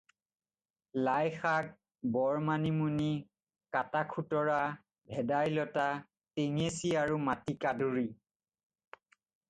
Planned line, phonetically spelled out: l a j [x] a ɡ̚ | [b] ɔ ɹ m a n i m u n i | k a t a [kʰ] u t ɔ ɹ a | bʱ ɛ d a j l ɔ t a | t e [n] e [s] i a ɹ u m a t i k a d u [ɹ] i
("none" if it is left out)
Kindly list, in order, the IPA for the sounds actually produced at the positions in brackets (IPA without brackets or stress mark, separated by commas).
x, b, kʰ, ŋ, s, ɹ